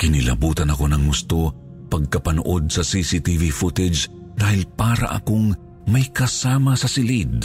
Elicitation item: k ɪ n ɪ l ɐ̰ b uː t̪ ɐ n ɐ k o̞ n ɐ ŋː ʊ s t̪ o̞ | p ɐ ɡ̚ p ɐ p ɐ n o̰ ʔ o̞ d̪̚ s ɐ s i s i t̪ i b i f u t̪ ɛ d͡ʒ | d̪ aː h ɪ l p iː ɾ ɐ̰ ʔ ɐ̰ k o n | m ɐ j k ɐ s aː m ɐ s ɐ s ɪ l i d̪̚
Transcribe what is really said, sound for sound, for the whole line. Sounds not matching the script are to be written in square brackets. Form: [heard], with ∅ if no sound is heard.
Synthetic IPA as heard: k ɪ n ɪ l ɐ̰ b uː t̪ ɐ n ɐ k o̞ n ɐ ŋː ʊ s t̪ o̞ | p ɐ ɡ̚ [k] ɐ p ɐ n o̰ ʔ o̞ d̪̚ s ɐ s i s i t̪ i [v] i f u t̪ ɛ d͡ʒ | d̪ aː h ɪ l p [aː] ɾ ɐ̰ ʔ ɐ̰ k o [ŋ] | m ɐ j k ɐ s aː m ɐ s ɐ s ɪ l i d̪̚